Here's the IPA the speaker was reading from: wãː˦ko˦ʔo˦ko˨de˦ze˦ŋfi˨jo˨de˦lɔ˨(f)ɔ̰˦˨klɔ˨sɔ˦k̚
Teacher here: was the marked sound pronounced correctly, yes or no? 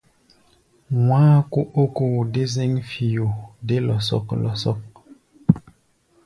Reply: no